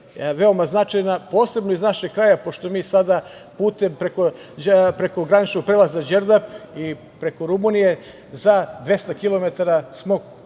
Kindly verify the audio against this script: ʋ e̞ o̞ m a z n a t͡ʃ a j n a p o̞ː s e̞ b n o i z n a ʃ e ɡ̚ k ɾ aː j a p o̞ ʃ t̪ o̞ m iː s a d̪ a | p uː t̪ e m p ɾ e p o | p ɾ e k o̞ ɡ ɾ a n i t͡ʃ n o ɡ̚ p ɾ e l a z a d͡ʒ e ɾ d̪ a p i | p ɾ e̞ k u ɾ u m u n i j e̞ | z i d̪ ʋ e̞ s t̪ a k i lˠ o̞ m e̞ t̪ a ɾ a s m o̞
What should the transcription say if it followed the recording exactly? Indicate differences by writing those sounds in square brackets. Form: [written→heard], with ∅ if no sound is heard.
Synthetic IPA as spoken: ʋ e̞ o̞ m a z n a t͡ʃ a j n a p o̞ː s e̞ b n o i z n a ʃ e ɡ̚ k ɾ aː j a p o̞ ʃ t̪ o̞ m iː s a d̪ a | p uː t̪ e m p ɾ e [p→k] o | p ɾ e k o̞ ɡ ɾ a n i t͡ʃ n o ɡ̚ p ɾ e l a z a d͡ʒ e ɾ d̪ a p i | p ɾ e̞ k [u→o] ɾ u m u n i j e̞ | z [i→a] d̪ ʋ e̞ s t̪ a k i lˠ o̞ m e̞ t̪ a ɾ a s m o̞